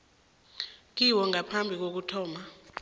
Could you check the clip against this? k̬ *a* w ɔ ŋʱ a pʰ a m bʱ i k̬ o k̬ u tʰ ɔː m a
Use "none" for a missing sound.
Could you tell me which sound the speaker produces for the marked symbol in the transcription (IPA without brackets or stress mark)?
i